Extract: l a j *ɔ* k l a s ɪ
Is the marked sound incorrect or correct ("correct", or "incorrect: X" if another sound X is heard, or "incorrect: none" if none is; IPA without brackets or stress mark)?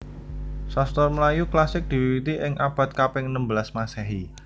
incorrect: u